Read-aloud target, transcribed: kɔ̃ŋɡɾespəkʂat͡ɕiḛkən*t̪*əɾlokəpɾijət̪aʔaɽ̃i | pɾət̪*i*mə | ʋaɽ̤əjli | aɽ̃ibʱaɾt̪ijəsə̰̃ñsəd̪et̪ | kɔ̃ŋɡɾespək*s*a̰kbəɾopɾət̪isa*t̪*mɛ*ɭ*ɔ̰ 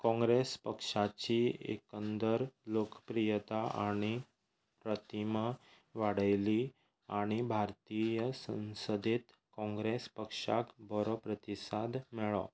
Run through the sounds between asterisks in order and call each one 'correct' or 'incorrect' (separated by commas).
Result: incorrect, correct, incorrect, incorrect, correct